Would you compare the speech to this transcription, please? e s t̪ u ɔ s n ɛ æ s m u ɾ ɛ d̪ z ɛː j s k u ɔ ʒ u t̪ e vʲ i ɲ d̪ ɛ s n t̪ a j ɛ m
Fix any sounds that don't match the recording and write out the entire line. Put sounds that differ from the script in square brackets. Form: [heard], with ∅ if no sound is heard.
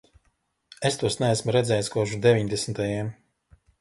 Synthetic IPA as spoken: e s t̪ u ɔ s n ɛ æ s m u ɾ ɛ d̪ z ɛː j s k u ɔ ʒ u [d̪] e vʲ i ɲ d̪ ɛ s n t̪ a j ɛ m